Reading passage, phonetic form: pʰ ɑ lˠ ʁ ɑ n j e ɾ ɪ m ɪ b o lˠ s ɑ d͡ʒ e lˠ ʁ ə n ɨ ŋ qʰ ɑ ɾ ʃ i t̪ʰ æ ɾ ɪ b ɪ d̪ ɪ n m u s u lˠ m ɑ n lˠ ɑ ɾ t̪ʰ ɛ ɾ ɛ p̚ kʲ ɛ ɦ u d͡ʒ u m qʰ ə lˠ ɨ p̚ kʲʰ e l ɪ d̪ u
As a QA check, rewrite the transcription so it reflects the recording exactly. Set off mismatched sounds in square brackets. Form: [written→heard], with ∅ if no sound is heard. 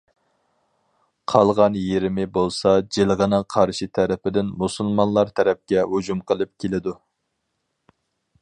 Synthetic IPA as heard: [pʰ→qʰ] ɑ lˠ ʁ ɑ n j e ɾ ɪ m ɪ b o lˠ s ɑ d͡ʒ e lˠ ʁ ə n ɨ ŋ qʰ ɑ ɾ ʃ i t̪ʰ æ ɾ ɪ [b→p] ɪ d̪ ɪ n m u s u lˠ m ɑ n lˠ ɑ ɾ t̪ʰ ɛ ɾ ɛ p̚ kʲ ɛ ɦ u d͡ʒ u m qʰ ə lˠ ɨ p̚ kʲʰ e l ɪ d̪ u